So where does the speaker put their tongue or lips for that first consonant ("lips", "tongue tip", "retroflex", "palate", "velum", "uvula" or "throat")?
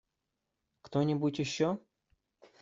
velum